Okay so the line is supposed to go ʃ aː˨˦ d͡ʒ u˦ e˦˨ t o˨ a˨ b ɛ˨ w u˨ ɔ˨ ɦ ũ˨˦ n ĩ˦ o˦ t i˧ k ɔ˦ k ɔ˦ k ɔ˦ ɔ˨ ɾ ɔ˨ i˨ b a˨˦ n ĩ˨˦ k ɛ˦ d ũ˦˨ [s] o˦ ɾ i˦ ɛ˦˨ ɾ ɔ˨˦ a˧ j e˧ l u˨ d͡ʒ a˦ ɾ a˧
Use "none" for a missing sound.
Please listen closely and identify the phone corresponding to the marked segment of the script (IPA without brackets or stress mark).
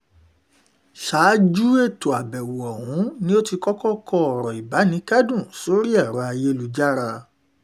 s